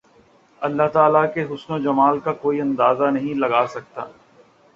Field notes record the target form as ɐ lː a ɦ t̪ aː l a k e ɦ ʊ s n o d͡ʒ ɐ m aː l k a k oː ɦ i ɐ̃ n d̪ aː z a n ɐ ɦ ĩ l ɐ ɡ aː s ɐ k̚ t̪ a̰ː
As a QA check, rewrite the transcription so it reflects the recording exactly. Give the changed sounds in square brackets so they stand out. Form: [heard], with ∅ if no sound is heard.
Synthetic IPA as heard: ɐ lː a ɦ t̪ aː l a k e ɦ ʊ s n o d͡ʒ ɐ m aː l k a k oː [∅] i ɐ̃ n d̪ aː z a n ɐ ɦ ĩ l ɐ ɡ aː s ɐ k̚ t̪ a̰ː